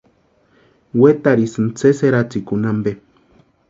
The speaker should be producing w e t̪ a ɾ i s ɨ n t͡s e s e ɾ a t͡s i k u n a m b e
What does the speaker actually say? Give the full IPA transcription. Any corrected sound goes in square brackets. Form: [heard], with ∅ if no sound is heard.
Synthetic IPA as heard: w e t̪ a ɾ i s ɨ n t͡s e s e ɾ a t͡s i k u n a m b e